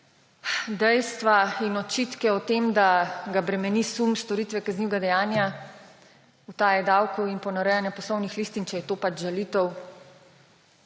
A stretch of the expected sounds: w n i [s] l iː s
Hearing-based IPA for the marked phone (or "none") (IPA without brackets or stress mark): x